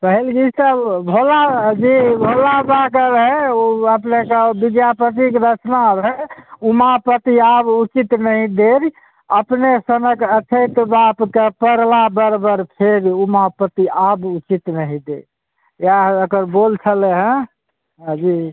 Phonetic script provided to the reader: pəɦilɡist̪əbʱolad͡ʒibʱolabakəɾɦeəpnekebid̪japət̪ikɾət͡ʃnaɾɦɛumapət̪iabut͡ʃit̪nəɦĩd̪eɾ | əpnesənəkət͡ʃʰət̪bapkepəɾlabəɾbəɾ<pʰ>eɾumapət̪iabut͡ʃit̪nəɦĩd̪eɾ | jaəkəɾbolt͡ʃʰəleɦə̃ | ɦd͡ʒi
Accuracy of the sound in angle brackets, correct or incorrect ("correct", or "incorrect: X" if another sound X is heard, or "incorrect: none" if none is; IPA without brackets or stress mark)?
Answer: correct